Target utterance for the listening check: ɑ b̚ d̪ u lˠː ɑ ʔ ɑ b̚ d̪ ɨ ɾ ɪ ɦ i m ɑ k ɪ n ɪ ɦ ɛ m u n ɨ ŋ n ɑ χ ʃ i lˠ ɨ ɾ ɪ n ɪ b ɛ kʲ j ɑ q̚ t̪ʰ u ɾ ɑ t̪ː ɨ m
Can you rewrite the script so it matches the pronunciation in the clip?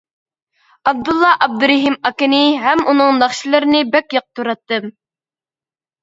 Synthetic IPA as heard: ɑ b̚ d̪ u lˠː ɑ ʔ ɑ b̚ d̪ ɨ ɾ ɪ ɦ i m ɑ k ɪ n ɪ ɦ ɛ m u n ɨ ŋ n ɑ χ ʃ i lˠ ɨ ɾ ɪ n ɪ b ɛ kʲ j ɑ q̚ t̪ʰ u ɾ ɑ t̪ː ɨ m